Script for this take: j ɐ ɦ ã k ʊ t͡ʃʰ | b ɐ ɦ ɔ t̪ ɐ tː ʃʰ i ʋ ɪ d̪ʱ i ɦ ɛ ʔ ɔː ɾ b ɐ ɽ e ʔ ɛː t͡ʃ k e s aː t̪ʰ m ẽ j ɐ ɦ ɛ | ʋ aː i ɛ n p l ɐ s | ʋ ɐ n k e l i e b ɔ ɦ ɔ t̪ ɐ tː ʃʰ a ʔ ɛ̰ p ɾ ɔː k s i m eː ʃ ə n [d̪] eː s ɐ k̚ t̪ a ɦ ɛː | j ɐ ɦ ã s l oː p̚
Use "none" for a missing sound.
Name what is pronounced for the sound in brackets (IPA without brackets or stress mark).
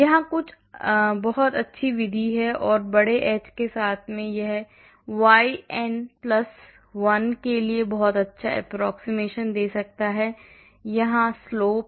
d̪